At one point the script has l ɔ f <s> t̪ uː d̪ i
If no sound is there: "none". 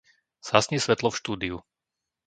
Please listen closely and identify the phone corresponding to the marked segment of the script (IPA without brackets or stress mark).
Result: ʃ